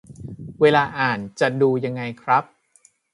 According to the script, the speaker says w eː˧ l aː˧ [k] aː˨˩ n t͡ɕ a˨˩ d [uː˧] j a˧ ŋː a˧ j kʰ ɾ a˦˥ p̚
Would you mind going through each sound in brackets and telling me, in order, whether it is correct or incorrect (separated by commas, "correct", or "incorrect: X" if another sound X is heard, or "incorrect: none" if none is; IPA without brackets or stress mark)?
incorrect: ʔ, correct